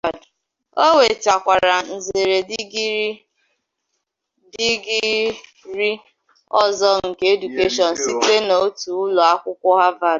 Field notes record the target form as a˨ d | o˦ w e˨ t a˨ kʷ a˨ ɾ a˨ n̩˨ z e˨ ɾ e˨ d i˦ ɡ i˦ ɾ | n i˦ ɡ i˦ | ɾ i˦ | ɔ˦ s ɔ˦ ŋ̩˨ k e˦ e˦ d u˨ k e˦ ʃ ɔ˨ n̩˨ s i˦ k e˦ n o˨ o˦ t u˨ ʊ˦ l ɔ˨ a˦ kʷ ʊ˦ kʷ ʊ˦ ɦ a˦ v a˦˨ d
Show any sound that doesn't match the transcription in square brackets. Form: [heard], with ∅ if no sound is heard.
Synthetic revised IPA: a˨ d | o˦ w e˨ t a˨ kʷ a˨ ɾ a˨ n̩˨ z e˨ ɾ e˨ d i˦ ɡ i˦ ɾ | [d] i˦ ɡ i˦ | ɾ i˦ | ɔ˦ [z] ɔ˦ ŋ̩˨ k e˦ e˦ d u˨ k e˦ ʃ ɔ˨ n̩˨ s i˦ [t] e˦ n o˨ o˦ t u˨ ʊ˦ l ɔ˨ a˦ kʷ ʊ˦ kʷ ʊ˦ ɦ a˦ v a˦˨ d

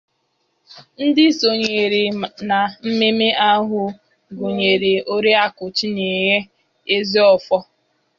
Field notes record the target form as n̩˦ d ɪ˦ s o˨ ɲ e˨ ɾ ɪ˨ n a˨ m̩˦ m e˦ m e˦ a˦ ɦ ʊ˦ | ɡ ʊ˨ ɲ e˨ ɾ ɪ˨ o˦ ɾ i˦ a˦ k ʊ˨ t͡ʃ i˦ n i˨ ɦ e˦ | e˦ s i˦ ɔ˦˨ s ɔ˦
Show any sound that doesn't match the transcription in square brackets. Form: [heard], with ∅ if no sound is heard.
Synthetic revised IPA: n̩˦ d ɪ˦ s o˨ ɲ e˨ ɾ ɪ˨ n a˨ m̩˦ m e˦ m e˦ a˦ ɦ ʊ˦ | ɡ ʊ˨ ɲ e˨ ɾ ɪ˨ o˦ ɾ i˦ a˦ k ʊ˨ t͡ʃ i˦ n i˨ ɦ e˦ | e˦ [z] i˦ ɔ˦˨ [f] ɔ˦

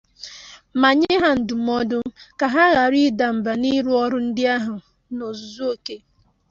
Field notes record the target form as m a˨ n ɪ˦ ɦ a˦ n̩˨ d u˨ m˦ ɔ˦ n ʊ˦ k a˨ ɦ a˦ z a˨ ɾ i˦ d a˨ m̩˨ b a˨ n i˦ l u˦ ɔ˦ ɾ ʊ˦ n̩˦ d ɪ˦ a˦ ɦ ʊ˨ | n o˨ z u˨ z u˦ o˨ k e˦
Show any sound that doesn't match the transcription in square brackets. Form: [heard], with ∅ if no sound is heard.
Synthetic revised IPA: m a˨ [ɲ] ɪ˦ ɦ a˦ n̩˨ d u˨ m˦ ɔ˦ [d] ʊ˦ k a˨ ɦ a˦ [ɣ] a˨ ɾ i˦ d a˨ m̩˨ b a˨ n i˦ [ɾ] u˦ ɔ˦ ɾ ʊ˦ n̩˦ d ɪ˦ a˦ ɦ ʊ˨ | n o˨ z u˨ z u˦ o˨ k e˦

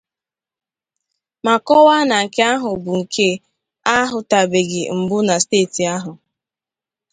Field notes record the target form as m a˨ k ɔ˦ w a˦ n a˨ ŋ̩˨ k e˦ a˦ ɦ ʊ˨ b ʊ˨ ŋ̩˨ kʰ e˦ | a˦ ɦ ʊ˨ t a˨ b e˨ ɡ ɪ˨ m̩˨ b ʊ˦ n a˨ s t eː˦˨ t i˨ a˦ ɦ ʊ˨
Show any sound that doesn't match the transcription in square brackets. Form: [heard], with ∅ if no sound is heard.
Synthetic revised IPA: m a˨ k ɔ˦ w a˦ n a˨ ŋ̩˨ k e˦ a˦ ɦ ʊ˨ b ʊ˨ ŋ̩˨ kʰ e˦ | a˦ ɦ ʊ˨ t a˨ b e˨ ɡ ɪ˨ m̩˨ b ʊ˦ n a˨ s t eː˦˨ t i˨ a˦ ɦ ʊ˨

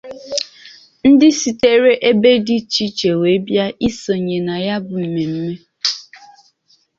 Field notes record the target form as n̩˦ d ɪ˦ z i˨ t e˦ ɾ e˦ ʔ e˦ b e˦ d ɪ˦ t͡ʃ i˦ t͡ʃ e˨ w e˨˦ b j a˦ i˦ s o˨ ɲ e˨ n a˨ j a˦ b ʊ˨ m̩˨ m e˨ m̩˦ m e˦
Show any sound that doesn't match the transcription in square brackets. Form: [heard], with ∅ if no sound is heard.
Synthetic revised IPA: n̩˦ d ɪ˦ [s] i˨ t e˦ ɾ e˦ ʔ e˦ b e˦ d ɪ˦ t͡ʃ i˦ t͡ʃ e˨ w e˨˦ b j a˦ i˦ s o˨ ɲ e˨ n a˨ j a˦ b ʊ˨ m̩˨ m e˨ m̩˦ m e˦

